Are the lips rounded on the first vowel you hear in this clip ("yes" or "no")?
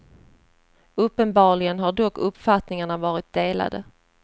yes